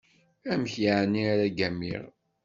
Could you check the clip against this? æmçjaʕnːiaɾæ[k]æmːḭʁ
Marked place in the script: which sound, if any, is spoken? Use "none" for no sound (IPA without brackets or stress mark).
ɡ